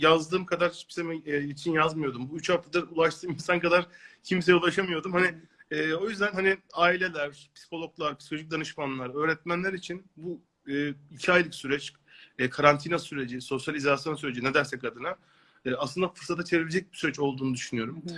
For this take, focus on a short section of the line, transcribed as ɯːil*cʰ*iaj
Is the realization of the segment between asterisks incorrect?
no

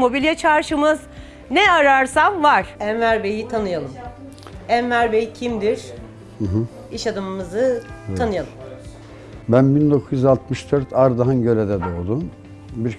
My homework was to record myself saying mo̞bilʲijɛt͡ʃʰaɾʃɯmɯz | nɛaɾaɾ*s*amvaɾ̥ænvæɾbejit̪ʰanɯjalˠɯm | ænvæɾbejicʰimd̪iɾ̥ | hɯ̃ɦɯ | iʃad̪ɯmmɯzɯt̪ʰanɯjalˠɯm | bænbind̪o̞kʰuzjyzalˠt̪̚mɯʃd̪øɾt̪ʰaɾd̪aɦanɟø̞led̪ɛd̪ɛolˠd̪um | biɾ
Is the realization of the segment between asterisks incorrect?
no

